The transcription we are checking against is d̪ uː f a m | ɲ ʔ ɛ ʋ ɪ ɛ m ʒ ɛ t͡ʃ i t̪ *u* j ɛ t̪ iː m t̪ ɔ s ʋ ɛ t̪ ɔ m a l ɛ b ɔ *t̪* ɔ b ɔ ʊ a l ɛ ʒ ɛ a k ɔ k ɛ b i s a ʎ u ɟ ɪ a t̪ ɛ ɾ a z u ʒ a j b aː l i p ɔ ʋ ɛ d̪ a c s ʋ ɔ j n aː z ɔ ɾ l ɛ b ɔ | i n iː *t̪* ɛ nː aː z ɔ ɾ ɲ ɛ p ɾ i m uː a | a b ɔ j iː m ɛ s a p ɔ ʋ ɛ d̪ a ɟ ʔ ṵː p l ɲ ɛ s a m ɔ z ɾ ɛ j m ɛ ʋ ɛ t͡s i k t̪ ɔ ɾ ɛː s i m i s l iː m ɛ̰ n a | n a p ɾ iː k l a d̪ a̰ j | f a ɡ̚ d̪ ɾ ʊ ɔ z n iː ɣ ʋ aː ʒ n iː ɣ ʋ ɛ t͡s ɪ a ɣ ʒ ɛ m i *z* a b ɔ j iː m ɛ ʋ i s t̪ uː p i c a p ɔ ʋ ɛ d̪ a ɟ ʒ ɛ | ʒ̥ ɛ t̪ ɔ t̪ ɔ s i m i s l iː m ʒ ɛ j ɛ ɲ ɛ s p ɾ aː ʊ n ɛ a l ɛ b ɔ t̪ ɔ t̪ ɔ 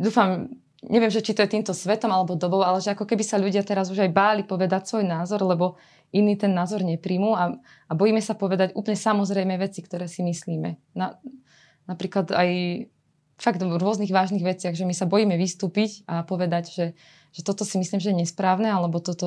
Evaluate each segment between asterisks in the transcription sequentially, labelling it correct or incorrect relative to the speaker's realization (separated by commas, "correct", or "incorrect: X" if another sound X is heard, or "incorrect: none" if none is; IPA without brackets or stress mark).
incorrect: ɔ, incorrect: d̪, correct, incorrect: s